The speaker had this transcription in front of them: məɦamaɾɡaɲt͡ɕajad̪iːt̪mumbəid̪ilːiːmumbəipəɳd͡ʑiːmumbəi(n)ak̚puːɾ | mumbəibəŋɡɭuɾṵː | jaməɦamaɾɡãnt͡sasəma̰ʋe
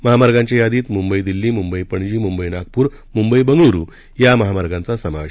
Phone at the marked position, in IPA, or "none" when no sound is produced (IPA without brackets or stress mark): n